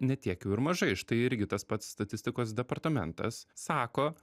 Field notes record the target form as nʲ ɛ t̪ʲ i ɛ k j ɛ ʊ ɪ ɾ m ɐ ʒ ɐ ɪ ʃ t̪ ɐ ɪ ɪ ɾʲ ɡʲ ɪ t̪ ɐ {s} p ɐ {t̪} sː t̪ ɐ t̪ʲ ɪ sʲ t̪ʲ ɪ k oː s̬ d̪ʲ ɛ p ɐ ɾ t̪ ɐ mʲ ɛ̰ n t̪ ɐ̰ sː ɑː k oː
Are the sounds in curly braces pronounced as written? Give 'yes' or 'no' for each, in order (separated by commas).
yes, yes